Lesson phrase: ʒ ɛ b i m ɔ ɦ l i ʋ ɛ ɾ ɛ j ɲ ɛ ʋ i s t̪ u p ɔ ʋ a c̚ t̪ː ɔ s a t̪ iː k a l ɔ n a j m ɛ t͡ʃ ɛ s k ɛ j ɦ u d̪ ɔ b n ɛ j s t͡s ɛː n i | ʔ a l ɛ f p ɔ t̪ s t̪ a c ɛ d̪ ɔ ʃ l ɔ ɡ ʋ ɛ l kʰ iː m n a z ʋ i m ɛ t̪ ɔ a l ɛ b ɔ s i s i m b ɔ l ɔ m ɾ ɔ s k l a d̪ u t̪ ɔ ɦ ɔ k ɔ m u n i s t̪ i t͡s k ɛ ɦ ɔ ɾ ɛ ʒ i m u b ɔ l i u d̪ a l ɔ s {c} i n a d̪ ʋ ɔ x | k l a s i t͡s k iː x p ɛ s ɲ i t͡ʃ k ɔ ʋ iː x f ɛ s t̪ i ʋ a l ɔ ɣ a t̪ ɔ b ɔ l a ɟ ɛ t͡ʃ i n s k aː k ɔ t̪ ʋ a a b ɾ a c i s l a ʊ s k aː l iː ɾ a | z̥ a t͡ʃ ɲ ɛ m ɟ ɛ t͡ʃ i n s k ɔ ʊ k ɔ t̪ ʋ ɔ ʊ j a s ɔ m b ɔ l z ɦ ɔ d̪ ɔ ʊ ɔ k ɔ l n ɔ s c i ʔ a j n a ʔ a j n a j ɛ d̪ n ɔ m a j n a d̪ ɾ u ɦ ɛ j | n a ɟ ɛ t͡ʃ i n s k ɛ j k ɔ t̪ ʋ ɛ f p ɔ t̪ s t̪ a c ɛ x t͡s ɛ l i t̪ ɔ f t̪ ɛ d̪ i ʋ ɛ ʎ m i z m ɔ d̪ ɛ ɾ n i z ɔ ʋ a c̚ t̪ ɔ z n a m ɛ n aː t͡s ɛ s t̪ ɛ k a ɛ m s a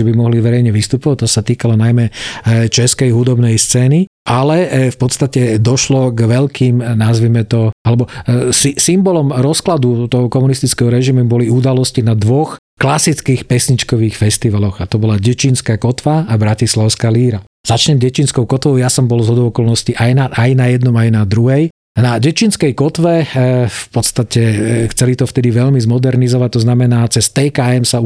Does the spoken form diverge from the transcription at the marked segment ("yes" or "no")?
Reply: no